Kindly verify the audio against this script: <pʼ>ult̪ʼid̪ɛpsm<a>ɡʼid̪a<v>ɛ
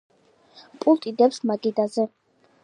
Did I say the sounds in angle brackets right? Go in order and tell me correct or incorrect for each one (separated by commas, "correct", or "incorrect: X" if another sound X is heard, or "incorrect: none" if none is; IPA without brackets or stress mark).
correct, correct, incorrect: z